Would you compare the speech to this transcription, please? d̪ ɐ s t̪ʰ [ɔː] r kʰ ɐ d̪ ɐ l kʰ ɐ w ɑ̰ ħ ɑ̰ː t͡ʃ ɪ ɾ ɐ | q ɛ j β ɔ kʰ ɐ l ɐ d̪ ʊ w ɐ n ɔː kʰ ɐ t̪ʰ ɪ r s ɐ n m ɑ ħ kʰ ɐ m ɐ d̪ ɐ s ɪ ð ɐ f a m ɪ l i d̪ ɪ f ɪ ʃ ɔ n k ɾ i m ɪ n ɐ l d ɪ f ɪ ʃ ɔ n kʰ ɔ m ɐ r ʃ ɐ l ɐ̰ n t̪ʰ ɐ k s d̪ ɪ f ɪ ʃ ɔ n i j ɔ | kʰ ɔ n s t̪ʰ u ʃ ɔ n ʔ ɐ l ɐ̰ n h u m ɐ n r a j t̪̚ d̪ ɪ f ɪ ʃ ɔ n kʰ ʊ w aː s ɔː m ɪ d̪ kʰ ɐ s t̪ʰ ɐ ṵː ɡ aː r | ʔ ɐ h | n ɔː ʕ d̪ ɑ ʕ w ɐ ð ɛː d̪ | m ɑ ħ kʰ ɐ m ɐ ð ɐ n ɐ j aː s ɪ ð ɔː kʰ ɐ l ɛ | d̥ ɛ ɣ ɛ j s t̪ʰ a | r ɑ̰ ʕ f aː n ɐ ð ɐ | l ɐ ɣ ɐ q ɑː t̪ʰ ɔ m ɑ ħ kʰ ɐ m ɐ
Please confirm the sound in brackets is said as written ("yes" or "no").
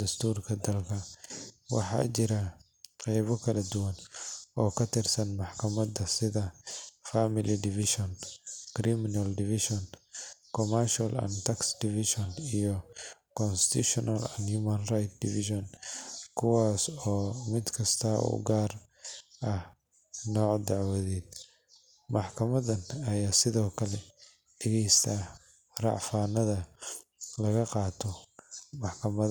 no